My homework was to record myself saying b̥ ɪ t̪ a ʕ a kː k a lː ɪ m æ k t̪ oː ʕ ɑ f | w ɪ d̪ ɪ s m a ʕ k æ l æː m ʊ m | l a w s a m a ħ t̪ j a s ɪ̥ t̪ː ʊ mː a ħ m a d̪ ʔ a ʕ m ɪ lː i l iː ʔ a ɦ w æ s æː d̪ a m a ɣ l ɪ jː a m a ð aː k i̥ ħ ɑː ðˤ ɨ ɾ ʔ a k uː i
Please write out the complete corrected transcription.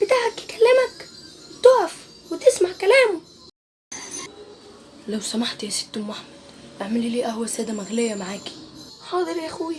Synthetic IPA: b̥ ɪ t̪ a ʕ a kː k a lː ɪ m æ k t̪ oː ʕ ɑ f | w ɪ t̪ ɪ s m a ʕ k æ l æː m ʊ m | l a w s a m a ħ t̪ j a s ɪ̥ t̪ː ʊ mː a ħ m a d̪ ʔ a ʕ m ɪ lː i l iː ʔ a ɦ w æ s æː d̪ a m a ɣ l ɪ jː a m a ʕ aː k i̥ ħ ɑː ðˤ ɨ ɾ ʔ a x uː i